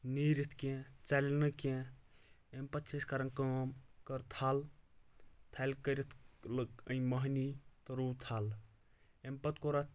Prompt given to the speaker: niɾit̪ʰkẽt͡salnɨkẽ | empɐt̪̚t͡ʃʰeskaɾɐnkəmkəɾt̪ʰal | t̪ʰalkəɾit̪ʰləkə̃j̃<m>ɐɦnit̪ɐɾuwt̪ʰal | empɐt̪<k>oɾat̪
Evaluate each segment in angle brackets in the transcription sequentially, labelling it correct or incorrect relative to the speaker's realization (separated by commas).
correct, correct